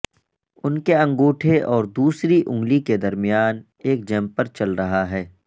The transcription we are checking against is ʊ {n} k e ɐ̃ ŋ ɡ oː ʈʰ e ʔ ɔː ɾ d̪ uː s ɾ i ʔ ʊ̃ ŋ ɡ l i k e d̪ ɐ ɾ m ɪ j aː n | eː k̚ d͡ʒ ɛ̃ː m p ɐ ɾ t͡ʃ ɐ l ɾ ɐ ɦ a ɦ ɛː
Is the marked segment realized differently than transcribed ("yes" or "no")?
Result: no